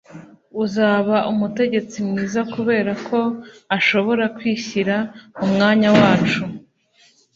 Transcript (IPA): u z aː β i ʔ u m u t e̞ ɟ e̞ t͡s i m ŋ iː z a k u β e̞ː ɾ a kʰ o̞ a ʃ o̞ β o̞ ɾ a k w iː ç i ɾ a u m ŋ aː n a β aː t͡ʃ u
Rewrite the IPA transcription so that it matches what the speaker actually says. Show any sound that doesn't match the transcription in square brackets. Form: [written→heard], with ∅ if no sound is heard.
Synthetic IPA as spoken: u z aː β [i→a] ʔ u m u t e̞ ɟ e̞ t͡s i m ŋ iː z a k u β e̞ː ɾ a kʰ o̞ a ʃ o̞ β o̞ ɾ a k w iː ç i ɾ a u m ŋ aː [n→ɲ] a [β→w] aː t͡ʃ u